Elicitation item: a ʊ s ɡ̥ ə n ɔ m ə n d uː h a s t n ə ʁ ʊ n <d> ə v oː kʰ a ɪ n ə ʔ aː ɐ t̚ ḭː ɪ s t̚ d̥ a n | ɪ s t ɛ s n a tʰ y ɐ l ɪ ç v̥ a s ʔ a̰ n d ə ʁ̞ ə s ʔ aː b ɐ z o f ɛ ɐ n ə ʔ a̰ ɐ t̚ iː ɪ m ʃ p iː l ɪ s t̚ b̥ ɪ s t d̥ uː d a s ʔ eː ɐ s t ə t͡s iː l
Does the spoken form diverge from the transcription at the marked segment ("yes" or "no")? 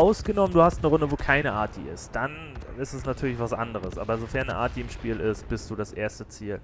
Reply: no